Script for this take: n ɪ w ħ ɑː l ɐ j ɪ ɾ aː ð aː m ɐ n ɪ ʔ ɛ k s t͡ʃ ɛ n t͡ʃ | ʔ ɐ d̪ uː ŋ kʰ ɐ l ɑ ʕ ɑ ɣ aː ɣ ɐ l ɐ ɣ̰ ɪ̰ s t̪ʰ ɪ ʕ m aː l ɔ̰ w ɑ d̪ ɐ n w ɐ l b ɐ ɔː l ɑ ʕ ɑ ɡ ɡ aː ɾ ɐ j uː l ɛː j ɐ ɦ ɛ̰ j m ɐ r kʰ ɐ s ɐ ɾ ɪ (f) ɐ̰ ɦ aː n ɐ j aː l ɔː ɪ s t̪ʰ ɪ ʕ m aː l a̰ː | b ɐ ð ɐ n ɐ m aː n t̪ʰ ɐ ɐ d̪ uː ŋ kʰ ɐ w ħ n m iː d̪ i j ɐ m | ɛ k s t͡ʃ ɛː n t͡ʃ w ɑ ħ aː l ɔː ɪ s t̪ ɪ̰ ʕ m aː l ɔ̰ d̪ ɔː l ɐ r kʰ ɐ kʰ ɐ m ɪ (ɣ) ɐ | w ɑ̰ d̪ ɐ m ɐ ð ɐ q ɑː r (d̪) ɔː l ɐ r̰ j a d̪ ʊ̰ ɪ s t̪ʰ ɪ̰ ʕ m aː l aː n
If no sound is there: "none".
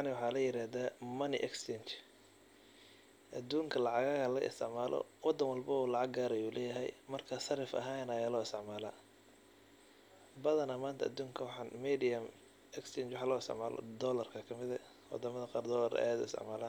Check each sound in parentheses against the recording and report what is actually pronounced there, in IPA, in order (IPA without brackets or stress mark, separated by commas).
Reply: f, ð, d̪